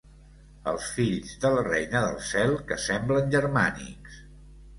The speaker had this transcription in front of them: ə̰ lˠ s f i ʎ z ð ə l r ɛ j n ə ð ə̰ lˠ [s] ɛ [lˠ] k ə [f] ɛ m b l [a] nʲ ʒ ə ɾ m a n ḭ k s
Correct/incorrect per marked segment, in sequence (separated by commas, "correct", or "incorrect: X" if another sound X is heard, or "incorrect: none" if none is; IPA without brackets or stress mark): correct, correct, incorrect: s, incorrect: ə